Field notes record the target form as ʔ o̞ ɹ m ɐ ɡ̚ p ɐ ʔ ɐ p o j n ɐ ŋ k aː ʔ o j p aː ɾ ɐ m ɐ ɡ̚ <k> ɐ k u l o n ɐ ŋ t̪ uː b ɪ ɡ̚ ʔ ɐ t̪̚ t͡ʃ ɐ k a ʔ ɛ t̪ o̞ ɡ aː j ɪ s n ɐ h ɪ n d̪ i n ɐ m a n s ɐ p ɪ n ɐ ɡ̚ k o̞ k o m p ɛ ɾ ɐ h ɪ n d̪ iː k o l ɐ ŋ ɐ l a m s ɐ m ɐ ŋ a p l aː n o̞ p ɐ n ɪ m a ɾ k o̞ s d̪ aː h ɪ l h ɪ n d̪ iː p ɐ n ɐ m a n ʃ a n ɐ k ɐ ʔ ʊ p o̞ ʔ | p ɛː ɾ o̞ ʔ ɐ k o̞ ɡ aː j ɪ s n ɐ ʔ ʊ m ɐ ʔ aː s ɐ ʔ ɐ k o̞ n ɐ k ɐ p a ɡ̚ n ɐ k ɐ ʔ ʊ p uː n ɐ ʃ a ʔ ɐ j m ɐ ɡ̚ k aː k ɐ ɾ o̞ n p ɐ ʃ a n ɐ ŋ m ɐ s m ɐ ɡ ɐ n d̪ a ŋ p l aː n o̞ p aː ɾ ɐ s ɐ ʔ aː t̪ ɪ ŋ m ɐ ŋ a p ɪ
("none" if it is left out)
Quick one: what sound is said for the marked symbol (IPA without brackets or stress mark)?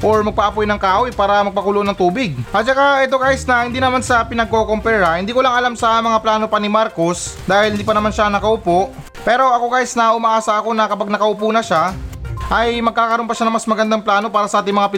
p